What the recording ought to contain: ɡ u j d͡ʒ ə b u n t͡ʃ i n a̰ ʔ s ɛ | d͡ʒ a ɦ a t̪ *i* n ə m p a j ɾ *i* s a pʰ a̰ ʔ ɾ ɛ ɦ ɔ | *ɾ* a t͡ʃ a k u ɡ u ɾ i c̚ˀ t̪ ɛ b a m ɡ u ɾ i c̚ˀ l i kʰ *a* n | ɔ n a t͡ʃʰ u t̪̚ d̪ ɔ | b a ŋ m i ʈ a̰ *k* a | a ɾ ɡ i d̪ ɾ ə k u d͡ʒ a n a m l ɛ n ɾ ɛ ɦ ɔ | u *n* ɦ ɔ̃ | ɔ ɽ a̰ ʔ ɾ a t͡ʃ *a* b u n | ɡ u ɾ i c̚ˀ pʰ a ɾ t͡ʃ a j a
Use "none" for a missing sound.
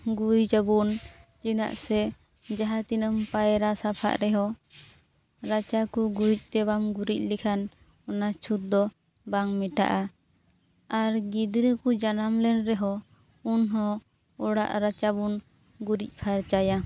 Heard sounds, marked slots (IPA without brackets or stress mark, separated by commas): i, a, ɾ, a, ʔ, n, a